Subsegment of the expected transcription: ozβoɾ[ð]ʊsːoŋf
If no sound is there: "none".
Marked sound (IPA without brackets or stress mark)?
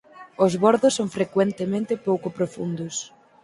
ð